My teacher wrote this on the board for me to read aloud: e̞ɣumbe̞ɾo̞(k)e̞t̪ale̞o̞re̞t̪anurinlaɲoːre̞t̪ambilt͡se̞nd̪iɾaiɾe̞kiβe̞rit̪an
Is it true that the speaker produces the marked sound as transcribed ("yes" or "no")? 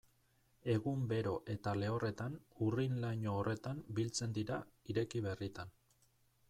no